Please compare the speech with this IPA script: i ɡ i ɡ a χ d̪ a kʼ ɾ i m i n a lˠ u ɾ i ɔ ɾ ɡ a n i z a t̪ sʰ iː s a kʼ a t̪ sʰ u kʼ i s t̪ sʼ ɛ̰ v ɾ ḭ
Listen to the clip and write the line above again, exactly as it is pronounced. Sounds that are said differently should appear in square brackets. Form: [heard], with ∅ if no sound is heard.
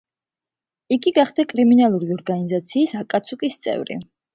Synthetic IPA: i ɡ i ɡ a χ d̪ a kʼ ɾ i m i n a lˠ u ɾ i ɔ ɾ ɡ a n i z a t̪ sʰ iː s a kʼ a t̪ sʰ u kʼ i s t̪ sʼ ɛ̰ v ɾ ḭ

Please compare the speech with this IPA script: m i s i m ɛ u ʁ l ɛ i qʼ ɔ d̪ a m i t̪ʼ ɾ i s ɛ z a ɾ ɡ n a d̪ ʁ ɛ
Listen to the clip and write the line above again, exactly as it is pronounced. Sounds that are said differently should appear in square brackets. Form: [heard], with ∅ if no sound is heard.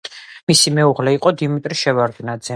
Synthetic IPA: m i s i m ɛ u ʁ l ɛ i qʼ ɔ d̪ [i] m i t̪ʼ ɾ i [ʃ] ɛ [v] a ɾ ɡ n a d̪ [z] ɛ

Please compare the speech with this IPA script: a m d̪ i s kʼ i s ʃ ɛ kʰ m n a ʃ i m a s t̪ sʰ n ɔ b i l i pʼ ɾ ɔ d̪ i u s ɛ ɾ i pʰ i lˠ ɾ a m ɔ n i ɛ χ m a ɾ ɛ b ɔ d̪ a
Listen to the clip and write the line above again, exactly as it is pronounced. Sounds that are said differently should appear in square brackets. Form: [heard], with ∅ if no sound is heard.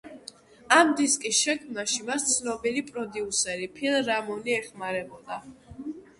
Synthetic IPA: a m d̪ i s kʼ i s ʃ ɛ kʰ m n a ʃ i m a s t̪ sʰ n ɔ b i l i pʼ ɾ ɔ d̪ i u s ɛ ɾ i pʰ i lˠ ɾ a m ɔ n i ɛ χ m a ɾ ɛ b ɔ d̪ a

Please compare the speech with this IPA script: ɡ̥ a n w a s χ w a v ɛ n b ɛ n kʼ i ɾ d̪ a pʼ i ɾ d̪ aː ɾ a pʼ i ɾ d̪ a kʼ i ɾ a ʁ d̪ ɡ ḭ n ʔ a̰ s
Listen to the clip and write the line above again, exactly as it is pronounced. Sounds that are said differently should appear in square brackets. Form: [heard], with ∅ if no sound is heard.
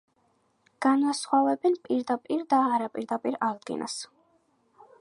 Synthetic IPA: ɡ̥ a n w a s χ w a v ɛ [∅] b ɛ n [pʼ] i ɾ d̪ a pʼ i ɾ d̪ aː ɾ a pʼ i ɾ d̪ a [pʼ] i ɾ a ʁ d̪ ɡ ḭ n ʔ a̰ s

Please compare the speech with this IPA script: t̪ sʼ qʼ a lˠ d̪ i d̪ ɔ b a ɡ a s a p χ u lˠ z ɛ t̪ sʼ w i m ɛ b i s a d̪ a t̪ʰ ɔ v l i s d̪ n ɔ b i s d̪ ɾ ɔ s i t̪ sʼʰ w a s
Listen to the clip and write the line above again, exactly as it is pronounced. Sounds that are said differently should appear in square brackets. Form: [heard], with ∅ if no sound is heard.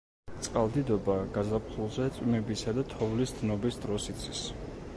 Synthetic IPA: t̪ sʼ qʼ a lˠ d̪ i d̪ ɔ b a ɡ a [z] a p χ u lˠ z ɛ t̪ sʼ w i m ɛ b i s a d̪ a t̪ʰ ɔ v l i s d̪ n ɔ b i s d̪ ɾ ɔ s i t̪ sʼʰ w [i] s

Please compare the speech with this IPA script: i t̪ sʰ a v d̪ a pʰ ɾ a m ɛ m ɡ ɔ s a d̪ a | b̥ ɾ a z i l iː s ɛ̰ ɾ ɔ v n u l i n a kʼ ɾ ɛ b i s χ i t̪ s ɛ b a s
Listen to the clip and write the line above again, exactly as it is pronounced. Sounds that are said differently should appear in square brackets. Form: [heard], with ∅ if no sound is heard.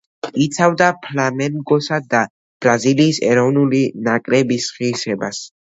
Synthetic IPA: i t̪ sʰ a v d̪ a pʰ [l] a m ɛ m ɡ ɔ s a d̪ a | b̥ ɾ a z i l iː s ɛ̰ ɾ ɔ v n u l i n a kʼ ɾ ɛ b i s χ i [∅] s ɛ b a s

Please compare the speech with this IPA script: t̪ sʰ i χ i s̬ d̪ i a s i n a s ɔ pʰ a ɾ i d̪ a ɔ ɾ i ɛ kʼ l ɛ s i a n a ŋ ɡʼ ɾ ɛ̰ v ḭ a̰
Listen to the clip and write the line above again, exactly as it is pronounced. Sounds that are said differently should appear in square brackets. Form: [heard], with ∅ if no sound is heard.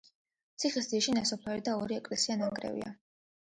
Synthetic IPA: t̪ sʰ i χ i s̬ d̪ i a [ʃ] i n a s ɔ pʰ a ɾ i d̪ a ɔ ɾ i ɛ kʼ l ɛ s i a n a ŋ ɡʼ ɾ ɛ̰ v ḭ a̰

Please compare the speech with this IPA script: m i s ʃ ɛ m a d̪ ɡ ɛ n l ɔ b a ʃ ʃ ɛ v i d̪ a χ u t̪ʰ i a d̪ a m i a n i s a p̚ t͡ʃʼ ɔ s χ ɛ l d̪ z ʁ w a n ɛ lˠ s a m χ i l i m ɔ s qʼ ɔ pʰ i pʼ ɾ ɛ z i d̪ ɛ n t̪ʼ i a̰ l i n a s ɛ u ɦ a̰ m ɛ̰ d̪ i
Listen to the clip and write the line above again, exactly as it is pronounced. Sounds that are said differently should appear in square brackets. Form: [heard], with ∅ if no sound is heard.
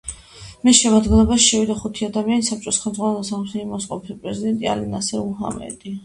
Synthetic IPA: m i s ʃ ɛ m a d̪ ɡ ɛ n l ɔ b a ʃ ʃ ɛ v i d̪ a χ u t̪ʰ i a d̪ a m i a n i s a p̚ t͡ʃʼ ɔ s χ ɛ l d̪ z ʁ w a n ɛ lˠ s a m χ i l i m ɔ s qʼ ɔ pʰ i pʼ ɾ ɛ z i d̪ ɛ n t̪ʼ i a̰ l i n a s ɛ u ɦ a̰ m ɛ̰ d̪ i

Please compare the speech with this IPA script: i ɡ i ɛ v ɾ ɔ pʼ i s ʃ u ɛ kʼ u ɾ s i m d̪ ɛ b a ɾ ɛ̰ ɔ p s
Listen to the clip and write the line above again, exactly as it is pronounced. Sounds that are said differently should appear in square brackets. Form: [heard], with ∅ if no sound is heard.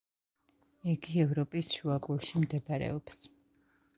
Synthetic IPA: i ɡ i ɛ v ɾ ɔ pʼ i s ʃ u [a] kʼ u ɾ [ʃ] i m d̪ ɛ b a ɾ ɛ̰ ɔ p s

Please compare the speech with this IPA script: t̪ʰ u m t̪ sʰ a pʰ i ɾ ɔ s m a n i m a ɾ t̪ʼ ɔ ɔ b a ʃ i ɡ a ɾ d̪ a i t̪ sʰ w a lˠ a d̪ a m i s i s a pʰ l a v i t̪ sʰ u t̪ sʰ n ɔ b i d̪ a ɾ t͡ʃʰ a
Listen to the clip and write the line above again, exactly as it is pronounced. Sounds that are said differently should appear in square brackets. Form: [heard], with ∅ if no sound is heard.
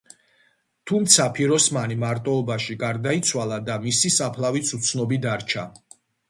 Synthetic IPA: t̪ʰ u m t̪ sʰ a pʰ i ɾ ɔ s m a n i m a ɾ t̪ʼ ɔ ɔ b a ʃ i ɡ a ɾ d̪ a i t̪ sʰ w a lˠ a d̪ a m i s i s a pʰ l a v i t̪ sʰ u t̪ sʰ n ɔ b i d̪ a ɾ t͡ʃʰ a

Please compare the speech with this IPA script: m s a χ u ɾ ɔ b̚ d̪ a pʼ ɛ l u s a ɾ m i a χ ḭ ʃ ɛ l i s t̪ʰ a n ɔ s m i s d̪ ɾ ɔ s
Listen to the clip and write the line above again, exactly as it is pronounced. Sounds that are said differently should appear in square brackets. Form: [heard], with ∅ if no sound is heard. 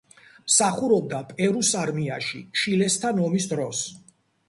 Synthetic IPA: m s a χ u ɾ ɔ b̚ d̪ a pʼ ɛ [ɾ] u s a ɾ m i a [ʃ] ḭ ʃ [i] l [ɛ] s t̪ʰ a n ɔ [∅] m i s d̪ ɾ ɔ s

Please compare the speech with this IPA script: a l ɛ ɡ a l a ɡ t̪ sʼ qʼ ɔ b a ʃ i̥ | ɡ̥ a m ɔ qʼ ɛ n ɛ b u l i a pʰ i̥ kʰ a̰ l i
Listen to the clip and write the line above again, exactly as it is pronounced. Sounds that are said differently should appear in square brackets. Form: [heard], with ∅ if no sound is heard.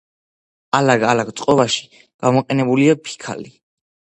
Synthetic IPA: a l [a] ɡ a l a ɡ t̪ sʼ qʼ ɔ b a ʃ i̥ | ɡ̥ a m ɔ qʼ ɛ n ɛ b u l i a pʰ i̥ kʰ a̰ l i

